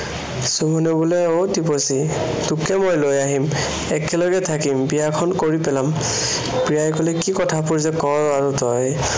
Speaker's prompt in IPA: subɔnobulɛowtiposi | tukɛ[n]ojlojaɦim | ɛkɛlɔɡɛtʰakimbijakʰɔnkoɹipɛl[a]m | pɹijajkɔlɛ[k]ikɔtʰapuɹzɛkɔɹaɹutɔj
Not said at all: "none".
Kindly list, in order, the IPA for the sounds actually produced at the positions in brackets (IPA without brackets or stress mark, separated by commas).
m, a, k